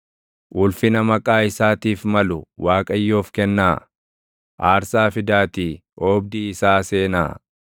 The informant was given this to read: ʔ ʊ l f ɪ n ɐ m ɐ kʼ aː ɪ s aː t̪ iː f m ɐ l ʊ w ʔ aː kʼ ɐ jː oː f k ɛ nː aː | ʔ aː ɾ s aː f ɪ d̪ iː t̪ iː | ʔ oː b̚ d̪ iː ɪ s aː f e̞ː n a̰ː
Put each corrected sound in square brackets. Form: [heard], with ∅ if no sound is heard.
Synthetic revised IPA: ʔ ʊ l f ɪ n ɐ m ɐ kʼ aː ɪ s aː t̪ iː f m ɐ l ʊ w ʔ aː kʼ ɐ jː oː f k ɛ nː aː | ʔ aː ɾ s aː f ɪ d̪ [aː] t̪ iː | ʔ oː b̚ d̪ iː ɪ s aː [s] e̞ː n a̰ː